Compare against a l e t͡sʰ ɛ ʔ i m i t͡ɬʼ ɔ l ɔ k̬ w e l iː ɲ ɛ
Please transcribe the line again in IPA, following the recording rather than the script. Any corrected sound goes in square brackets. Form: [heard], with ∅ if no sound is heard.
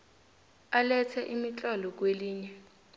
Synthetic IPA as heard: a l [ɛ] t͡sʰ ɛ ʔ i m i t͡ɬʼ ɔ l ɔ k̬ w e l iː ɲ ɛ